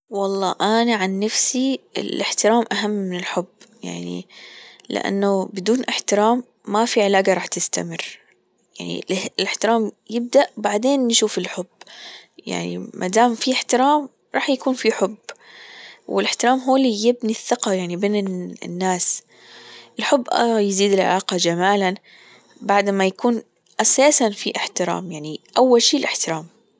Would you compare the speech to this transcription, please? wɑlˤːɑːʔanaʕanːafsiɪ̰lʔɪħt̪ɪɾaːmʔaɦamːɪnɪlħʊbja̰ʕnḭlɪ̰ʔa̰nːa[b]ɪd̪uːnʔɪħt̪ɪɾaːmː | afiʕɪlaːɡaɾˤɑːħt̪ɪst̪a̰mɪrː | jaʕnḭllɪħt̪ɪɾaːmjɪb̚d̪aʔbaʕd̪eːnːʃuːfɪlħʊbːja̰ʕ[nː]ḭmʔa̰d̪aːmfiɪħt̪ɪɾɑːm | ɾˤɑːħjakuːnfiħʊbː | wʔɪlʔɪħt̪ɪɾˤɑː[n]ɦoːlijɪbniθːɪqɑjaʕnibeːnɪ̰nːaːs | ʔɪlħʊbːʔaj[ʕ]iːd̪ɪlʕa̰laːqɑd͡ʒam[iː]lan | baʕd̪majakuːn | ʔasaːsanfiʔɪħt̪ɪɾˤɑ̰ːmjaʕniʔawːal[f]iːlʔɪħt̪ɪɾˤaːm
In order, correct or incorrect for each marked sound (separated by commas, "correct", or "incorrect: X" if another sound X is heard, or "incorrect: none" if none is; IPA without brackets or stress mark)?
correct, incorrect: n, incorrect: m, incorrect: z, incorrect: aː, incorrect: ʃ